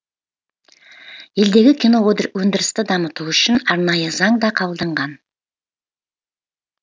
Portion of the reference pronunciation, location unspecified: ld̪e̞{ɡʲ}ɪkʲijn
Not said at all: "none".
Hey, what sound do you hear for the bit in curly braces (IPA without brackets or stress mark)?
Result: ɡʲ